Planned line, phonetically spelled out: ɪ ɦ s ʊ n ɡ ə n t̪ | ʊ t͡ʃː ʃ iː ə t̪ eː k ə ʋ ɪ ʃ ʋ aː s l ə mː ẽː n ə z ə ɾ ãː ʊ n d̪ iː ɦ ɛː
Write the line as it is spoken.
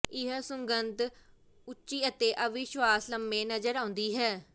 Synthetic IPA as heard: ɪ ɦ s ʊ ŋ ɡ ə n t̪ | ʊ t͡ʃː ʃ iː ə t̪ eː ʔ ə ʋ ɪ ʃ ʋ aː s l ə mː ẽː n ə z ə ɾ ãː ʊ n d̪ iː ɦ ɛː